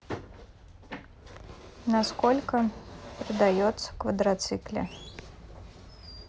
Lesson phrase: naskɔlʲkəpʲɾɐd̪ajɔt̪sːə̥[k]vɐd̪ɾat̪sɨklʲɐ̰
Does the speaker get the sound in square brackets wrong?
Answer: no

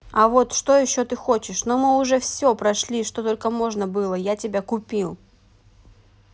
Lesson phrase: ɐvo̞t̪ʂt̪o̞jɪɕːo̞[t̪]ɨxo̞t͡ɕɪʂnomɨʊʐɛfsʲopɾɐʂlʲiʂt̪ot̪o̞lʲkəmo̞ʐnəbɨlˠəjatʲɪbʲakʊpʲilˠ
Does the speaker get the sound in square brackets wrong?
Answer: no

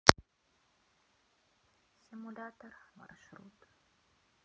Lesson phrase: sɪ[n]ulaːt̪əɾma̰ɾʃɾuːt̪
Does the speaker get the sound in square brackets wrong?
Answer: yes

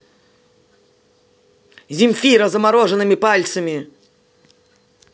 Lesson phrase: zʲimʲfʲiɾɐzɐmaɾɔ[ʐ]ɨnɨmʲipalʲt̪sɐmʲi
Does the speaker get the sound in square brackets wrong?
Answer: no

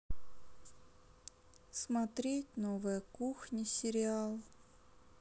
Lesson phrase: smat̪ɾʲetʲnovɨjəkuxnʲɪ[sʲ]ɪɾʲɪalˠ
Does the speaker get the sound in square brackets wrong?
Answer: no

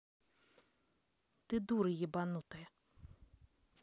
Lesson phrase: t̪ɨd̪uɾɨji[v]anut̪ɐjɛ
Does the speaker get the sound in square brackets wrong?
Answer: yes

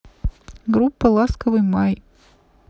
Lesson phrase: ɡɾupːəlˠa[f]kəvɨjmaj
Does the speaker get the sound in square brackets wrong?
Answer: yes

